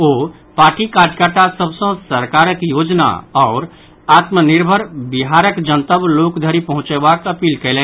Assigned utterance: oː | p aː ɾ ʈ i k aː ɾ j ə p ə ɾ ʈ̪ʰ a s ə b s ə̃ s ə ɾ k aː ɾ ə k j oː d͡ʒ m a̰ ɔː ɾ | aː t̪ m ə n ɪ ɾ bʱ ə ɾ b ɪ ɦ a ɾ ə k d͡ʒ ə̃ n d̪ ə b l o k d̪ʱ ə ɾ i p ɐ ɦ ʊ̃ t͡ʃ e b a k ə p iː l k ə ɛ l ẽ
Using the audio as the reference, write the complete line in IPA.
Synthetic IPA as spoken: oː | p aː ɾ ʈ i k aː ɾ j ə k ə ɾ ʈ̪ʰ a s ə b s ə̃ s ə ɾ k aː ɾ ə k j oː d͡ʒ n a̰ ɔː ɾ | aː t̪ m ə n ɪ ɾ bʱ ə ɾ b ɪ ɦ a ɾ ə k d͡ʒ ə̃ n t̪ ə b l o k d̪ʱ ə ɾ i p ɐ ɦ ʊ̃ t͡ʃ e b a k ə p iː l k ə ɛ l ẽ